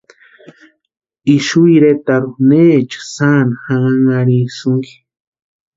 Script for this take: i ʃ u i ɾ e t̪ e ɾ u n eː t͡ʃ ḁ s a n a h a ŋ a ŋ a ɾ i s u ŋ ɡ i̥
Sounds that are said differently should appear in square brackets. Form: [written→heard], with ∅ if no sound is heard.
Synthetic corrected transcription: i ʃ u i ɾ e t̪ [e→a] ɾ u n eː t͡ʃ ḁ s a n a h a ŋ a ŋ a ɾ i s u ŋ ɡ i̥